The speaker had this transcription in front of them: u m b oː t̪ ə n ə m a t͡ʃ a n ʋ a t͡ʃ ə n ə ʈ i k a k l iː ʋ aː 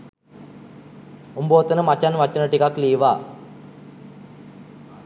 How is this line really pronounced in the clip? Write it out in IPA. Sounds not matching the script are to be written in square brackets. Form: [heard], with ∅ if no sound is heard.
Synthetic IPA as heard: u m b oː t̪ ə n ə m a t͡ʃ a n ʋ a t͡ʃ ə n ə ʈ i k a k l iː ʋ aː